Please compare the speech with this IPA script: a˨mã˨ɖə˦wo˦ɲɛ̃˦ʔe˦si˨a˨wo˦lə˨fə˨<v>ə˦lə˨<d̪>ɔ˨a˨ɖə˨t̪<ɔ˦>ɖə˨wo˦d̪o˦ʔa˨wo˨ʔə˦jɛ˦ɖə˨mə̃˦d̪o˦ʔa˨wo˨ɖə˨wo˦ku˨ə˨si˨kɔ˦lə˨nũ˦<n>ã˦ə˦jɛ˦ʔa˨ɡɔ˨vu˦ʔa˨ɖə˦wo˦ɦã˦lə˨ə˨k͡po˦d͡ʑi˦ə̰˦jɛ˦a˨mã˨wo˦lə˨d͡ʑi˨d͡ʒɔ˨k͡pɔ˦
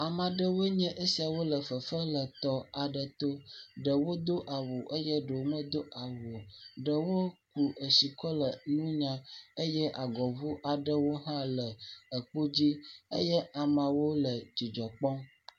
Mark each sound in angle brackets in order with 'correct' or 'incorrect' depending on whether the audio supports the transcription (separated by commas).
incorrect, incorrect, incorrect, incorrect